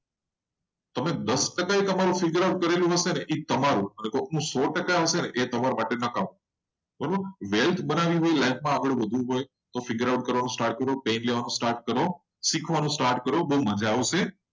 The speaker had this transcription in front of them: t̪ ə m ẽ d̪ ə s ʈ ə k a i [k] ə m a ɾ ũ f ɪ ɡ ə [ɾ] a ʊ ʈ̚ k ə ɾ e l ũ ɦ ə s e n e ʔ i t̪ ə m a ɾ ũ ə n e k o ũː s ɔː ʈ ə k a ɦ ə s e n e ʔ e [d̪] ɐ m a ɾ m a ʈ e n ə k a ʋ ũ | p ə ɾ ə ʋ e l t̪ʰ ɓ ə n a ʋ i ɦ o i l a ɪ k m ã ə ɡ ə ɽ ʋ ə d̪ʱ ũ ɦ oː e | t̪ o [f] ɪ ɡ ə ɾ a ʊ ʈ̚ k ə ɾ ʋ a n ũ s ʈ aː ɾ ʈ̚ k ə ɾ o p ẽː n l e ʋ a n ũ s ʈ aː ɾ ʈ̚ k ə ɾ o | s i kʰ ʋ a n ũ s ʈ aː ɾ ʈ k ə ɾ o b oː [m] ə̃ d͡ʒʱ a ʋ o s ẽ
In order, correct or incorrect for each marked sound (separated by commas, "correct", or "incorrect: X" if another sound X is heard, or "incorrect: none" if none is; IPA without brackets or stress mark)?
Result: correct, correct, incorrect: t̪, correct, correct